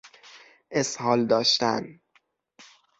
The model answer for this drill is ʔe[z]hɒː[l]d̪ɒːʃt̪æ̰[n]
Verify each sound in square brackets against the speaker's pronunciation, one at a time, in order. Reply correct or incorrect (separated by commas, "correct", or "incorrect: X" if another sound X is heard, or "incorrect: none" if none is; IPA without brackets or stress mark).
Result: incorrect: s, correct, correct